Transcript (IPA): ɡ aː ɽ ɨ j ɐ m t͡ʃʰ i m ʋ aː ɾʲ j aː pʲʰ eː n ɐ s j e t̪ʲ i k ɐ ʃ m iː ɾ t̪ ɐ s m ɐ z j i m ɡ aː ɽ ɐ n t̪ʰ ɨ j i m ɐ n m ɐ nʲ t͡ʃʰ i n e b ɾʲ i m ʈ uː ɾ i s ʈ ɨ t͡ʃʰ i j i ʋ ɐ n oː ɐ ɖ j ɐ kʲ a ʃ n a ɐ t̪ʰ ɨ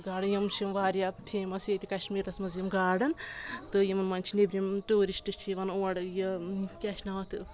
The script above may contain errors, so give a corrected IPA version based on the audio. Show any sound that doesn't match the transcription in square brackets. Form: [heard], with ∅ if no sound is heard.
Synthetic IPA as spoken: ɡ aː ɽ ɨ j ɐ m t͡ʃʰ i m ʋ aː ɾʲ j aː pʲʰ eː [m] ɐ s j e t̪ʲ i k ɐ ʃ m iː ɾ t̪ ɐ s m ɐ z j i m ɡ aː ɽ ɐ n [t̪] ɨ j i m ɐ n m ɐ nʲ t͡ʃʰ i n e b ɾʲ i m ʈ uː ɾ i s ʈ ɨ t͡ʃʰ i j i ʋ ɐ n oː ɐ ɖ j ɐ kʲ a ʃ n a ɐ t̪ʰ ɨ